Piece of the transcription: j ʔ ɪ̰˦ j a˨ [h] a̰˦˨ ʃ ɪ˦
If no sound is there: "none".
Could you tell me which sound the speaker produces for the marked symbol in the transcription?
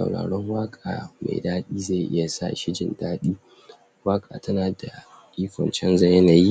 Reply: s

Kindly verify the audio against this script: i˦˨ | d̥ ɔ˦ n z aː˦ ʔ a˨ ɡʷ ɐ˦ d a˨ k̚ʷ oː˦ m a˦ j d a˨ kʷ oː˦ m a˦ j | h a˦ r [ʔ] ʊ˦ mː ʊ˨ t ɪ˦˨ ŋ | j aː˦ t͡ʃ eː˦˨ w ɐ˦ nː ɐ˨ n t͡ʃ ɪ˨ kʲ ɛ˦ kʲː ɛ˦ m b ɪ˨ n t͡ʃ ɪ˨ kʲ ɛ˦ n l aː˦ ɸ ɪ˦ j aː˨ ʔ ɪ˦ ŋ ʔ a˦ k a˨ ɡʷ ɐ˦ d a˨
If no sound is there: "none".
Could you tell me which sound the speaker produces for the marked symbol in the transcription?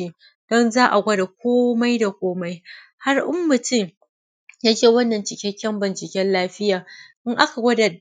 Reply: ʔ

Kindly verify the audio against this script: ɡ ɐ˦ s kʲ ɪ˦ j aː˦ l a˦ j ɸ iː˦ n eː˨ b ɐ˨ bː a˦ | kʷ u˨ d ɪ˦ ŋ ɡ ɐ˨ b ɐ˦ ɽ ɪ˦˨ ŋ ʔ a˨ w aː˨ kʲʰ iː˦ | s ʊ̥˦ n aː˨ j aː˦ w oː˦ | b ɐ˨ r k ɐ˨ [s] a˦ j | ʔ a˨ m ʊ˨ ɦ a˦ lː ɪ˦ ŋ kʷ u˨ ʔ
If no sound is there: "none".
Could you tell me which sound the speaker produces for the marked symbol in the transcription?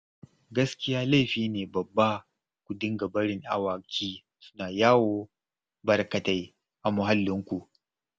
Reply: t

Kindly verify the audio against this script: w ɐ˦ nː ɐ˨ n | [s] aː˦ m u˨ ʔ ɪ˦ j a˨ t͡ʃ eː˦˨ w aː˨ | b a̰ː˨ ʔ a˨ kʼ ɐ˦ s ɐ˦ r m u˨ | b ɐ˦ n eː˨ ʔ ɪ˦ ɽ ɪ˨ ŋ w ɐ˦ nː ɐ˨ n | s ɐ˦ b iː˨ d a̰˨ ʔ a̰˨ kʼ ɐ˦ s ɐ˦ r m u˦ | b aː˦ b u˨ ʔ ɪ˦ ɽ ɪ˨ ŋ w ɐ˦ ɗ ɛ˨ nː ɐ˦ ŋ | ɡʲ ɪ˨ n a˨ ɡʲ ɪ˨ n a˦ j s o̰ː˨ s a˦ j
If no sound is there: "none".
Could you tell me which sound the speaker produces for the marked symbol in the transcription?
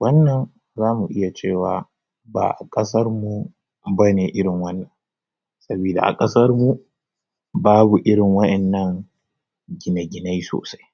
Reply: z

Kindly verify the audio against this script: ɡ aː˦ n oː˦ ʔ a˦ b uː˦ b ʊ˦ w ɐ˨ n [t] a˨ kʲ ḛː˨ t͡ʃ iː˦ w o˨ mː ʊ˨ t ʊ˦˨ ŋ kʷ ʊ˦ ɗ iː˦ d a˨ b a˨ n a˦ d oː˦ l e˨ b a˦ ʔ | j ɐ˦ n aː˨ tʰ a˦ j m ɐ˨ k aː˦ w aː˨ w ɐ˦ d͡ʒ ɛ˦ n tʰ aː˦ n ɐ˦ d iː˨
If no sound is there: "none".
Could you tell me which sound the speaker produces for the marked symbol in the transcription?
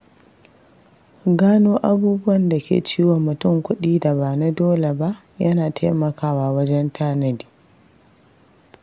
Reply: d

